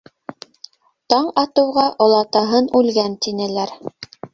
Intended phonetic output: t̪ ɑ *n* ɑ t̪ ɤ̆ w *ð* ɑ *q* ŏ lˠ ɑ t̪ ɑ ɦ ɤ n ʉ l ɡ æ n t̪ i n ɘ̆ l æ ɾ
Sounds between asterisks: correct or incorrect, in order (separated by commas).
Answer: incorrect, incorrect, incorrect